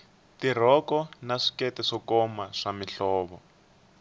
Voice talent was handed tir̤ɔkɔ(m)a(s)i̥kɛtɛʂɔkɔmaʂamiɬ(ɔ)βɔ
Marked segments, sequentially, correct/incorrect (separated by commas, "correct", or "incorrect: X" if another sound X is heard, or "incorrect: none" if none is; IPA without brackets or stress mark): incorrect: n, incorrect: ʂ, incorrect: ɔː